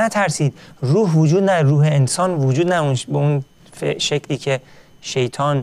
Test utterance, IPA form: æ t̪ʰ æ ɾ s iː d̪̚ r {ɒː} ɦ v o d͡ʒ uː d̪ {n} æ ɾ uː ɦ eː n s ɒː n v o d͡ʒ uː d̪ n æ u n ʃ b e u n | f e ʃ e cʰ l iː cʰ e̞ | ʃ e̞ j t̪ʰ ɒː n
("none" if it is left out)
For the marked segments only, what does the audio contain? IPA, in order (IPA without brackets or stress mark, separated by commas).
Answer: uː, n